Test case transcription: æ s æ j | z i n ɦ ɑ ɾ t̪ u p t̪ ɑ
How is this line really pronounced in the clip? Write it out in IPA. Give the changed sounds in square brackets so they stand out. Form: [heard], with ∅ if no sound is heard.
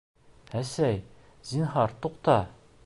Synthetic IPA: æ s æ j | z i n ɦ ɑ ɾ t̪ u [q] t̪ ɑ